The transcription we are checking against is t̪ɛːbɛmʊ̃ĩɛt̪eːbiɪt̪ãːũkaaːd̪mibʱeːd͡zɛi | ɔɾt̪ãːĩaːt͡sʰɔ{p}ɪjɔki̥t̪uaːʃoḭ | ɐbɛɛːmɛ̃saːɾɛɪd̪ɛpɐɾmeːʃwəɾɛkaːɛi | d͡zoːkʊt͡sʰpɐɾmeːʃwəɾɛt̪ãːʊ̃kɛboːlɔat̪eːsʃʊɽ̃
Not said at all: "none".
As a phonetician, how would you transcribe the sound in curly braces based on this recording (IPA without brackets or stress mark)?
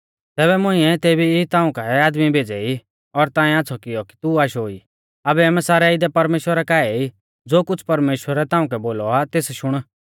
k